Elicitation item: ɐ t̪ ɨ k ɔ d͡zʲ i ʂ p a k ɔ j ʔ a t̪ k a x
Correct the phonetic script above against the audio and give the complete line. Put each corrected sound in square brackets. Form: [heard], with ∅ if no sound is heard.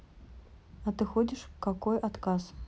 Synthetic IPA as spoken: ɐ t̪ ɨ [x] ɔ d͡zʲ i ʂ [k] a k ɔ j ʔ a t̪ k a [s]